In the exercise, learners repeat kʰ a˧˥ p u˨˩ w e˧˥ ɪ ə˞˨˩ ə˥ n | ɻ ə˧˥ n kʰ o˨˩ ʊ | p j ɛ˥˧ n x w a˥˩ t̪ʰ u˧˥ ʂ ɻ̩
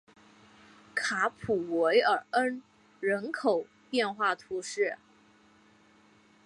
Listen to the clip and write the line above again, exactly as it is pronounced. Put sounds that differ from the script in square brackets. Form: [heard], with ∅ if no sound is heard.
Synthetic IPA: kʰ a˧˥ [pʰ] u˨˩ w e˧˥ ɪ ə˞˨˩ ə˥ n | ɻ ə˧˥ n kʰ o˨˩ ʊ | p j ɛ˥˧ n x w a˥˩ t̪ʰ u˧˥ ʂ ɻ̩